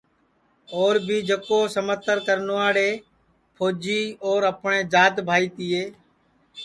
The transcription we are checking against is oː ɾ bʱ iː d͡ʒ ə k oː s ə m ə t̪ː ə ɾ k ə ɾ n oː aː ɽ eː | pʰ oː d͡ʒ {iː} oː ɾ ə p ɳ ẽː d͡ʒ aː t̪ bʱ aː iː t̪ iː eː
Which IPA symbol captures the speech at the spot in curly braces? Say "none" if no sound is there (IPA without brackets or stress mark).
iː